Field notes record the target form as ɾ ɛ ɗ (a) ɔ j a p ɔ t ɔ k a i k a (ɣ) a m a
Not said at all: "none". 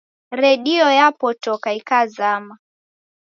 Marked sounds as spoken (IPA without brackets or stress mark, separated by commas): i, z